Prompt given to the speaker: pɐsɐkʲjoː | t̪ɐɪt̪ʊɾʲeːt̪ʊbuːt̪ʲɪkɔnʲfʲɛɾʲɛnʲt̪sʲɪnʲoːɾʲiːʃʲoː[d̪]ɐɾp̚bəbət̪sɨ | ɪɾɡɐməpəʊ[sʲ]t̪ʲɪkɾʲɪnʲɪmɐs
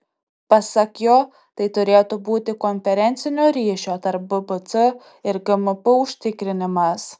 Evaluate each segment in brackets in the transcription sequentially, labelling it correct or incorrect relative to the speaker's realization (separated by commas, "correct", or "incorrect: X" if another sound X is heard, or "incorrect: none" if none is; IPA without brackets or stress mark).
incorrect: t̪, incorrect: ʃʲ